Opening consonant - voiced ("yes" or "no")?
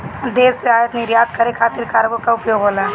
yes